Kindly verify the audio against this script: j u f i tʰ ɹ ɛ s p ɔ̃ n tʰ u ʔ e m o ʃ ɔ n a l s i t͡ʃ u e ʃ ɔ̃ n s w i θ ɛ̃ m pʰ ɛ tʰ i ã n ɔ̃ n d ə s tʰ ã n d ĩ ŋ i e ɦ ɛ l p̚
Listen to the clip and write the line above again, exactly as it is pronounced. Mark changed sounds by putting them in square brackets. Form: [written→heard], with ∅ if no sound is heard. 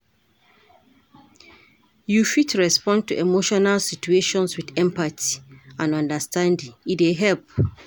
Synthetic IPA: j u f i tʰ ɹ ɛ s p ɔ̃ n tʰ u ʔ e m o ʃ ɔ n a l s i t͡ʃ u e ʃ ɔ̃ n s w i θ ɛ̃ m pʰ [ɛ→a] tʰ i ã n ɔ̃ n d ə s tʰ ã n d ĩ ŋ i e ɦ ɛ l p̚